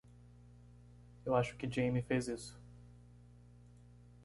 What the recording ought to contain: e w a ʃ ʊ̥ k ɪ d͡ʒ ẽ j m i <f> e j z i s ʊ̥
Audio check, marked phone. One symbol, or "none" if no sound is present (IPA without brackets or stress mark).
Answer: f